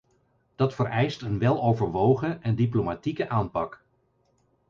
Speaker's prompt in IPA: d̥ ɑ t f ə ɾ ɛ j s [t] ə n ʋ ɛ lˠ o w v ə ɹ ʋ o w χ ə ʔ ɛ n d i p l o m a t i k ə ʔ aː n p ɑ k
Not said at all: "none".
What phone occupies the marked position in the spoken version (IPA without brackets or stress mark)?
t